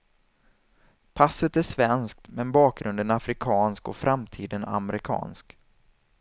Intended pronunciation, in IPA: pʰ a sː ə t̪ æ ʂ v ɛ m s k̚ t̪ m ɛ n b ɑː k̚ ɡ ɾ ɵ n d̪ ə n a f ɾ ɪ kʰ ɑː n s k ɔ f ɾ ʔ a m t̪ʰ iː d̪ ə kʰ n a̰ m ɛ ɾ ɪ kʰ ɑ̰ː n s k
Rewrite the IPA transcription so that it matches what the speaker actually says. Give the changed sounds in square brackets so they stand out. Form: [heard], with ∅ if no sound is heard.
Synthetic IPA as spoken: pʰ a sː ə t̪ æ ʂ v ɛ [n] s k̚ t̪ m ɛ n b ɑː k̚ ɡ ɾ ɵ n d̪ ə n a f ɾ ɪ kʰ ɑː n s k ɔ f ɾ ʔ a m t̪ʰ iː d̪ ə [∅] n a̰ m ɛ ɾ ɪ kʰ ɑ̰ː n s k